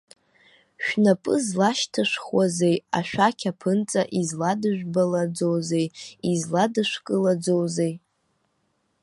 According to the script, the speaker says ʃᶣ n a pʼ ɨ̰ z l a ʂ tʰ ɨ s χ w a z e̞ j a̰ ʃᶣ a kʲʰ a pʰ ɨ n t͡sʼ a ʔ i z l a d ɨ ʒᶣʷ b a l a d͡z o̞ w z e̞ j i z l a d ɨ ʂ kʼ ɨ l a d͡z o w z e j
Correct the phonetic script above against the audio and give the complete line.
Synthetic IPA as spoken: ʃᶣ n a pʼ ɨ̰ z l a ʃ tʰ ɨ ʂ χ w a z e̞ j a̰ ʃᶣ a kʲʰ a pʰ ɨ n t͡sʼ a ʔ i z l a d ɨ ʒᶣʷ b a l a d͡z o̞ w z e̞ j i z l a d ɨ ʂ kʼ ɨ l a d͡z o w z e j